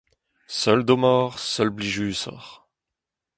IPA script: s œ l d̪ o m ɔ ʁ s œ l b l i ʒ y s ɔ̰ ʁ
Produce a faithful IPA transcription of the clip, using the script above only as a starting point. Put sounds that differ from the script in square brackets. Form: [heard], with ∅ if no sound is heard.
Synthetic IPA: s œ l d̪ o m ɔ ʁ s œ l b l i ʒ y s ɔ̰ ʁ